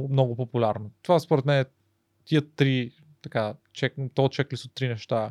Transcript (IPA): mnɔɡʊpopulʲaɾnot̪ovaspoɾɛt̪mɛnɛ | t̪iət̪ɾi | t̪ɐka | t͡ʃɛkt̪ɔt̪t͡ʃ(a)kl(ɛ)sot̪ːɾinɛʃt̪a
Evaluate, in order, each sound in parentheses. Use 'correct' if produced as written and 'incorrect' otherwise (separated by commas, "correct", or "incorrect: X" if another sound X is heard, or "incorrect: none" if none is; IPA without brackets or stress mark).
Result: incorrect: ɛ, incorrect: i